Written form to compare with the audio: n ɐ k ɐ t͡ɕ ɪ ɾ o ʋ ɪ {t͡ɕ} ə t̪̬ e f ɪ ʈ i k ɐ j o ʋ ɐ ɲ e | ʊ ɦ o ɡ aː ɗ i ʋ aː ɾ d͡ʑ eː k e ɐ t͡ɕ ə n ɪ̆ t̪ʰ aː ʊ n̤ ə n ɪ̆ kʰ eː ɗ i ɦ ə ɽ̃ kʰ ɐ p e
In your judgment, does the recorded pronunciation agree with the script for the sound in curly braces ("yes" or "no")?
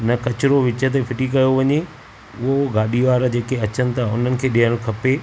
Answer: yes